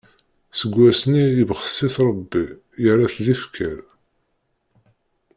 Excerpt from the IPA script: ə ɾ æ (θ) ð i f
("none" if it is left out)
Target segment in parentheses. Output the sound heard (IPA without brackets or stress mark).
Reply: θ